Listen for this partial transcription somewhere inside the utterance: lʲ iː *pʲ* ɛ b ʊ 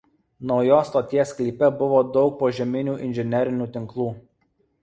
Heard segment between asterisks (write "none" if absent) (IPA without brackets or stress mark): pʲ